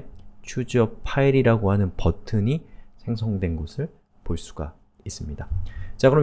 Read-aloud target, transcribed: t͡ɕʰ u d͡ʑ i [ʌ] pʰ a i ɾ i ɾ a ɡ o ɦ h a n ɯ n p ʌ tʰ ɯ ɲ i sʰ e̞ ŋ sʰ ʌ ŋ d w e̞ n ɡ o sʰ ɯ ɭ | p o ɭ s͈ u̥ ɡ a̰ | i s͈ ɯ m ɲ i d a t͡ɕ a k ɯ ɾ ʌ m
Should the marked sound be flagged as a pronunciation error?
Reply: no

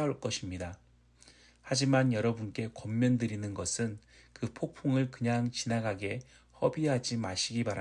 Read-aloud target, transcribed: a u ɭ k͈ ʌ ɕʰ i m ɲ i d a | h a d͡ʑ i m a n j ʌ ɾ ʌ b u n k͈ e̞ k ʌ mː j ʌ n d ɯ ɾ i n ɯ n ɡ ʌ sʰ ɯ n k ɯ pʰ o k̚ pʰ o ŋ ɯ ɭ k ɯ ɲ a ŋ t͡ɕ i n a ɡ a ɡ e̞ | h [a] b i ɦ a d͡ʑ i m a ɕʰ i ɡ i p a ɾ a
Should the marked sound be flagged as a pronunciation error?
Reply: yes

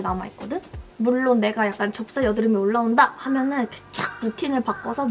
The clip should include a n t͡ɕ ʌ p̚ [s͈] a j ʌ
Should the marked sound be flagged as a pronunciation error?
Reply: no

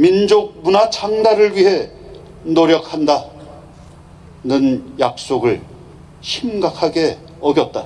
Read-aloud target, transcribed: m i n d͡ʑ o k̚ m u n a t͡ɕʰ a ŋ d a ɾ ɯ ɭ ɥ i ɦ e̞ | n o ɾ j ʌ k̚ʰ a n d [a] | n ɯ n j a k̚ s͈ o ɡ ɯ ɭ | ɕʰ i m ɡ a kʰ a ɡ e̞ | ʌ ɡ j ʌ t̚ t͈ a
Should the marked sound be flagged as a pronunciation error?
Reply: no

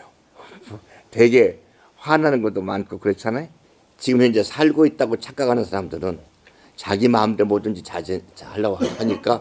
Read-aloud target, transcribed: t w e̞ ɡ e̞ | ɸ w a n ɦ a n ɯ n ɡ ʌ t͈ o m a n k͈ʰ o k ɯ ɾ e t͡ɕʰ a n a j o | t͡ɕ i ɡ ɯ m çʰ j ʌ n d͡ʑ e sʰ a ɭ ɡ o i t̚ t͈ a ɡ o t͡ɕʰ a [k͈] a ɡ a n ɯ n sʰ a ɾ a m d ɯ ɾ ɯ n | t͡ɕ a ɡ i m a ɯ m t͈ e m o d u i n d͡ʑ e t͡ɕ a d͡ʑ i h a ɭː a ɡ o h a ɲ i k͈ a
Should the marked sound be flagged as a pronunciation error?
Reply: no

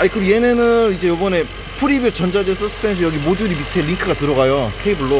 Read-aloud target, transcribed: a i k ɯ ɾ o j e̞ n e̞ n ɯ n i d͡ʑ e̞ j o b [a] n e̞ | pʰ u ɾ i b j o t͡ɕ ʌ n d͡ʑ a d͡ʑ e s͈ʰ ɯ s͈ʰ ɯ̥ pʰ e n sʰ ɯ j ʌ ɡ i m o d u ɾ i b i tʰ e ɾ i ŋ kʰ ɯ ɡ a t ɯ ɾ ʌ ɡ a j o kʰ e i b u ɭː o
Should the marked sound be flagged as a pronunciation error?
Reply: yes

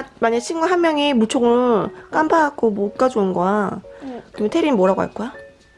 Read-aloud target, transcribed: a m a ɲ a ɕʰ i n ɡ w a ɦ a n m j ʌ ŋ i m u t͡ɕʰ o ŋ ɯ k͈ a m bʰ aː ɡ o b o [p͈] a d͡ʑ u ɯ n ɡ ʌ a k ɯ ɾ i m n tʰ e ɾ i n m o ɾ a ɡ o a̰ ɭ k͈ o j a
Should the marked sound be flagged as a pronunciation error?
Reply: yes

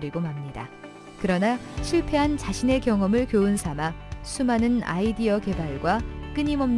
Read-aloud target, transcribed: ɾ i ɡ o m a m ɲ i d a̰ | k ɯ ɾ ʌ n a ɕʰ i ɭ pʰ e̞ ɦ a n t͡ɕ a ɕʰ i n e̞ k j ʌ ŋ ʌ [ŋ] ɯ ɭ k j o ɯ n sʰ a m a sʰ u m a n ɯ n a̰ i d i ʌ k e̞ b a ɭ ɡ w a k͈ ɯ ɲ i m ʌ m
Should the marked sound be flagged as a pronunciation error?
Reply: yes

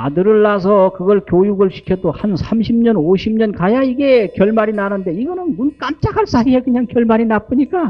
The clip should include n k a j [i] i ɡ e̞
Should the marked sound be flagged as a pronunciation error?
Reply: yes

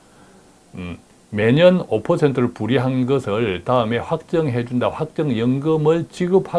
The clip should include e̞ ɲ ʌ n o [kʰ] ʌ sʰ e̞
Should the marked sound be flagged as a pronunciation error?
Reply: yes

